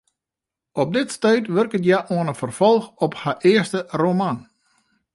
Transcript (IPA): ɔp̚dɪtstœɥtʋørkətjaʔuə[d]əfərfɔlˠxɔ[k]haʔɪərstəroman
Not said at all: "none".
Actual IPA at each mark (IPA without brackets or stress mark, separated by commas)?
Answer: n, p